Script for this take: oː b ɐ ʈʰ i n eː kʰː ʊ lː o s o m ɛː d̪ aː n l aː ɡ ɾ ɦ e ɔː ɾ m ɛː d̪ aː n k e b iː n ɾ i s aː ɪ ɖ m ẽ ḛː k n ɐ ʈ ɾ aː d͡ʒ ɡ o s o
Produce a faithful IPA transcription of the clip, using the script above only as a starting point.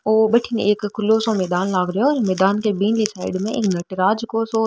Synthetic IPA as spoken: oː b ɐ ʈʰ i n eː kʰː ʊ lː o s o m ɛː d̪ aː n l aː ɡ ɾ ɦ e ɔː ɾ m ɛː d̪ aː n k e b iː n l i s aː ɪ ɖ m ẽ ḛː k n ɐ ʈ ɾ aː d͡ʒ k o s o